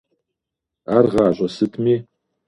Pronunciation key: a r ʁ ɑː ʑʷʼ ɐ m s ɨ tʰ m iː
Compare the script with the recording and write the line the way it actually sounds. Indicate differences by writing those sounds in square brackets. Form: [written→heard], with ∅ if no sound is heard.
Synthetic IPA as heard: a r ʁ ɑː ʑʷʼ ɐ [m→∅] s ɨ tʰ m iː